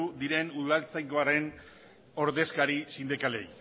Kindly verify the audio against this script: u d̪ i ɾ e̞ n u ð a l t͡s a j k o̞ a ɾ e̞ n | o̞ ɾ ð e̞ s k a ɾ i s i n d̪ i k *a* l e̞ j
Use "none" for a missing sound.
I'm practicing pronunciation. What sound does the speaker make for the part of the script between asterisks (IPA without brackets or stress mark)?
a